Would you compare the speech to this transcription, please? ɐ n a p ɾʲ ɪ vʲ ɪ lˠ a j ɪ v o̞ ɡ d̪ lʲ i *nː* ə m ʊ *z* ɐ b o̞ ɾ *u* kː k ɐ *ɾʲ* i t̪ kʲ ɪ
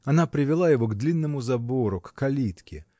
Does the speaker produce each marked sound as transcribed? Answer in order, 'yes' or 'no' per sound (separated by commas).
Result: yes, yes, no, no